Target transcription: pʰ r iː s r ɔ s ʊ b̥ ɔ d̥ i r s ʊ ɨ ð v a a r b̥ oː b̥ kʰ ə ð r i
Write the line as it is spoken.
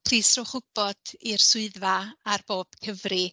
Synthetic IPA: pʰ r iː s r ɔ χ ʊ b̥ ɔ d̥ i r s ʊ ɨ ð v a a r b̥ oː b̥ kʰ ə v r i